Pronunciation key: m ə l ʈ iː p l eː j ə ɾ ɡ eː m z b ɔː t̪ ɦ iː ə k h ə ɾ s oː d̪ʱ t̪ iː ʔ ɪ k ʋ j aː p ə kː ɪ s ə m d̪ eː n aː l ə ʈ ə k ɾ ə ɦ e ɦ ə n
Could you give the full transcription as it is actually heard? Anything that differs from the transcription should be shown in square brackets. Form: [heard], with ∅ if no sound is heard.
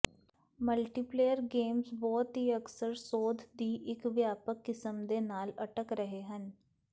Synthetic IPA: m ə l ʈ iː p l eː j ə ɾ ɡ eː m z b ɔː t̪ ɦ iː ə k [s] ə ɾ s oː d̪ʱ [d̪] iː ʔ ɪ k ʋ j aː p ə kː ɪ s ə m d̪ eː n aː l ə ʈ ə k ɾ ə ɦ e ɦ ə n